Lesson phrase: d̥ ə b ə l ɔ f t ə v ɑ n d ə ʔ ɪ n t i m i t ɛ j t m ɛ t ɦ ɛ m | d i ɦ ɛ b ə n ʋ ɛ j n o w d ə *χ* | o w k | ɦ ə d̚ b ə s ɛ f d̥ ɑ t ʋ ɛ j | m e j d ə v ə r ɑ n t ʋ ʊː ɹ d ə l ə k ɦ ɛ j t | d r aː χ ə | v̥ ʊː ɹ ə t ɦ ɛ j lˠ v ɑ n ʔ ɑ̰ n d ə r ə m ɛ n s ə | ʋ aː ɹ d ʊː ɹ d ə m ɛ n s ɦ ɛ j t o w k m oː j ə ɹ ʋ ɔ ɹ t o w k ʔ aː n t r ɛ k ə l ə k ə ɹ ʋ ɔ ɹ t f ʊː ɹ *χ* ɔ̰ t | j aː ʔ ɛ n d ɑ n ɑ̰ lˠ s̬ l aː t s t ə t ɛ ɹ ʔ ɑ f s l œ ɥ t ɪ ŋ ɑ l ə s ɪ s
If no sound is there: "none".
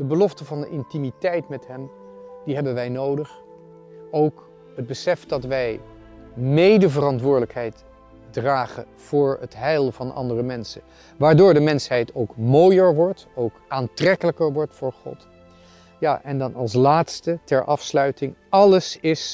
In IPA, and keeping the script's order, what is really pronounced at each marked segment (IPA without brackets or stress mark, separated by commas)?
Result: χ, χ